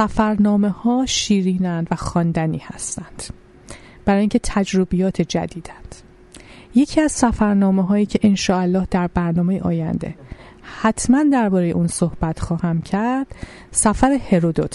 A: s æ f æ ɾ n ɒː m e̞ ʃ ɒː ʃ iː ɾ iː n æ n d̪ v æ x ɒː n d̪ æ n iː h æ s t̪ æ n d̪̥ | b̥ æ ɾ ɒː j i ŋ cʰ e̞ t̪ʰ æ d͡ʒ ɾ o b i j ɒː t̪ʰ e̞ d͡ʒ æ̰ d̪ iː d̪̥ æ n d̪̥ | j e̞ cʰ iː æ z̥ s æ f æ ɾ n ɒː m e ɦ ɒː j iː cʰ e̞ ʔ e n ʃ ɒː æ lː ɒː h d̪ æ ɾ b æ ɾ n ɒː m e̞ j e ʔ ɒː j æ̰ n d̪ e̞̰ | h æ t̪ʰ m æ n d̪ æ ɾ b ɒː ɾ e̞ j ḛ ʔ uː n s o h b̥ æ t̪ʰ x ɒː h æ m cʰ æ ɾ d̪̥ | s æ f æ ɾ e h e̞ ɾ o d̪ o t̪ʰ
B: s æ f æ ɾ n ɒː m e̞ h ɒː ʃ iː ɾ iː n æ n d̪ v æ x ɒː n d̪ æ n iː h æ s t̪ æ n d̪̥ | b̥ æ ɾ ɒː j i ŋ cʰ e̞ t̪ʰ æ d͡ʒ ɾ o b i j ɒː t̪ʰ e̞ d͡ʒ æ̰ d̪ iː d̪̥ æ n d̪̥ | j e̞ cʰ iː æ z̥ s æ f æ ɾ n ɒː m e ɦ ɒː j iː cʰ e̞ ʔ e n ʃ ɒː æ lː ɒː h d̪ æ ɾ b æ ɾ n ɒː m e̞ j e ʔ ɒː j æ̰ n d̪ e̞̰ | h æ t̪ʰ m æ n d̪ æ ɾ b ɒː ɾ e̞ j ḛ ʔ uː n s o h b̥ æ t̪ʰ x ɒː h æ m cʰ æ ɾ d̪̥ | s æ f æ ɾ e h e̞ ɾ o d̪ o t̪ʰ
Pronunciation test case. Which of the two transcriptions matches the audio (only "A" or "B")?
B